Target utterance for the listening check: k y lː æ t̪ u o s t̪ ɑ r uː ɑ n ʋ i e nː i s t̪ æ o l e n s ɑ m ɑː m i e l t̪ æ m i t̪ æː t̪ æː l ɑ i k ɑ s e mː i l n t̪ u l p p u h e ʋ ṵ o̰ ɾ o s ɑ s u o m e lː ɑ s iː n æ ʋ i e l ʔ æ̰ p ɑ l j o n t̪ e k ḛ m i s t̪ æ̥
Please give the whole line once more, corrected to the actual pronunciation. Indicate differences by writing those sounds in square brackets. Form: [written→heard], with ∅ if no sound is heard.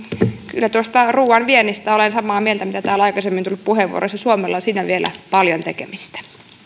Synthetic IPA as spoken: k y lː æ t̪ u o s t̪ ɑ r uː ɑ n ʋ i e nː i s t̪ æ o l e n s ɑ m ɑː m i e l t̪ æ m i t̪ [æː→æ] t̪ æː l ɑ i k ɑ s e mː i [l→∅] n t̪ u l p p u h e ʋ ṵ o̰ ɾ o s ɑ s u o m e lː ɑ s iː n æ ʋ i e l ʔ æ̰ p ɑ l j o n t̪ e k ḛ m i s t̪ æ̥